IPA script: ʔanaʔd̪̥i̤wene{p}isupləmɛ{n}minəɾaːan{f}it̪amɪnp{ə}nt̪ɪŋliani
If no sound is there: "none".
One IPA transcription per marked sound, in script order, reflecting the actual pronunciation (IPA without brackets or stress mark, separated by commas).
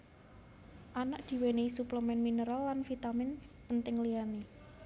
none, n, f, ə